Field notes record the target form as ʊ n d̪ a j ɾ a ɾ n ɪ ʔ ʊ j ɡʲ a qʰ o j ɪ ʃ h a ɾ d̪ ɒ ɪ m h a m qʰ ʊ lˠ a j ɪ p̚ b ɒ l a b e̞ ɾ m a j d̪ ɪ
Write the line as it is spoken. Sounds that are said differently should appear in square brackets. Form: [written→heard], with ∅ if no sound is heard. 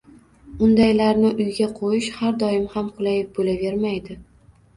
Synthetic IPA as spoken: ʊ n d̪ a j [ɾ→l] a ɾ n ɪ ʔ ʊ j ɡʲ a qʰ o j ɪ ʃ h a ɾ d̪ ɒ ɪ m h a m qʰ ʊ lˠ a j ɪ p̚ b [ɒ→o] l a [b→v] e̞ ɾ m a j d̪ ɪ